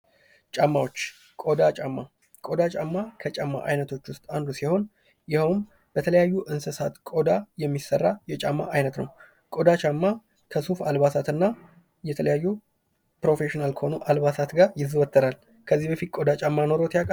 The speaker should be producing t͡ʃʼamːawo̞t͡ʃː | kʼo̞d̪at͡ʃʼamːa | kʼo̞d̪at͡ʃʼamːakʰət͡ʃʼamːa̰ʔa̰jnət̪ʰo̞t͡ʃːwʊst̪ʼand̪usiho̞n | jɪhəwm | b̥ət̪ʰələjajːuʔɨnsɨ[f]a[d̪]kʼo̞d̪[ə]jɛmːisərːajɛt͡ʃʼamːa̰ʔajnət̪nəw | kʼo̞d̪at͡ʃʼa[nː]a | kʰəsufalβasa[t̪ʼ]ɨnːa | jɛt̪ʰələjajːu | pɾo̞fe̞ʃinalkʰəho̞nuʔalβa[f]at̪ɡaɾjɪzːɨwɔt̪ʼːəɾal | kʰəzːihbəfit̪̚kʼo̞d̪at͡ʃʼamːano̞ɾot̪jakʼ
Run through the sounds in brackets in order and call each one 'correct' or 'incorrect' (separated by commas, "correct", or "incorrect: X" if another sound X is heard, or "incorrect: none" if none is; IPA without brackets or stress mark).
incorrect: s, incorrect: t̪, incorrect: a, incorrect: mː, incorrect: t̪, incorrect: s